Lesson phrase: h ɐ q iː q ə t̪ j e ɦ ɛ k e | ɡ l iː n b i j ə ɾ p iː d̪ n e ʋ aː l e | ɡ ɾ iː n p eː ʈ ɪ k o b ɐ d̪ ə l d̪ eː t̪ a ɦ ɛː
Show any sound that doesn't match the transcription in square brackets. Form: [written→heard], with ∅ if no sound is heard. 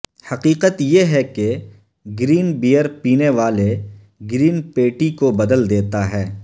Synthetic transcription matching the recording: h ɐ q iː q ə t̪ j e ɦ ɛ k e | ɡ [l→ɾ] iː n b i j ə ɾ p iː [d̪→∅] n e ʋ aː l e | ɡ ɾ iː n p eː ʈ [ɪ→i] k o b ɐ d̪ ə l d̪ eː t̪ a ɦ ɛː